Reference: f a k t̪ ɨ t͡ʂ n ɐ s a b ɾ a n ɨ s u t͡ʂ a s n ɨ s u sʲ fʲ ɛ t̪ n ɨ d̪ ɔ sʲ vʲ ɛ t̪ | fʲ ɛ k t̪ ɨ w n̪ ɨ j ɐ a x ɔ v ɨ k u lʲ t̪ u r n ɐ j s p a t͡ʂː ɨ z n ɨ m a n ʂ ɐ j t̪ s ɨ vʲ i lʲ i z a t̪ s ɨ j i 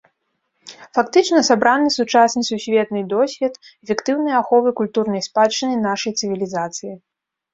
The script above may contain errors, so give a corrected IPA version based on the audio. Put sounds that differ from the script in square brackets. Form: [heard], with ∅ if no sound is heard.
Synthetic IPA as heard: f a k t̪ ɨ t͡ʂ n ɐ s a b ɾ a n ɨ s u t͡ʂ a s n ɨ s u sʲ [vʲ] ɛ t̪ n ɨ d̪ ɔ sʲ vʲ ɛ t̪ | fʲ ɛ k t̪ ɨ w n̪ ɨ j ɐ a x ɔ v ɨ k u lʲ t̪ u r n ɐ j s p a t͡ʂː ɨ [∅] n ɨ [n] a [∅] ʂ ɐ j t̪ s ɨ vʲ i lʲ i z a t̪ s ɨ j i